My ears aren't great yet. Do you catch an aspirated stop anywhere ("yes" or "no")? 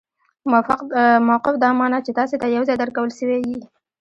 no